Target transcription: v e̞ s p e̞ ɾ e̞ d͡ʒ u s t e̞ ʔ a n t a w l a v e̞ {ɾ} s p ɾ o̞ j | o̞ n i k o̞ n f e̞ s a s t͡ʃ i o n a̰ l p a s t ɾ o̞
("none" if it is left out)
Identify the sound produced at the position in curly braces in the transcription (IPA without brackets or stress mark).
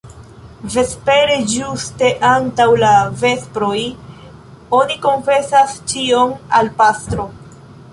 none